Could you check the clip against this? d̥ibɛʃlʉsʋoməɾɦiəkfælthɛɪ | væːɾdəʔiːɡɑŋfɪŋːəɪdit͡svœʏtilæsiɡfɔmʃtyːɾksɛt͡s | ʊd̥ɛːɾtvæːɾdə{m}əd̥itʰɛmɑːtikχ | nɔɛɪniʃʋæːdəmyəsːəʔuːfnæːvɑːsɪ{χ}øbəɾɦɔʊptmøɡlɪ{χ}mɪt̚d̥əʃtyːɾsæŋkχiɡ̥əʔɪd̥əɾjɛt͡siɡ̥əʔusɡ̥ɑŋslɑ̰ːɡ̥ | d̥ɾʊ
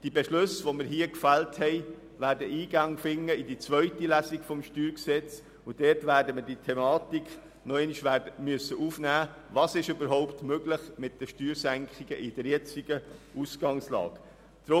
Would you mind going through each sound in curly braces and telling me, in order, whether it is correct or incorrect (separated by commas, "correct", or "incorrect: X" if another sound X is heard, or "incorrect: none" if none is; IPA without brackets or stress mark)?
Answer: correct, incorrect: ʃ, correct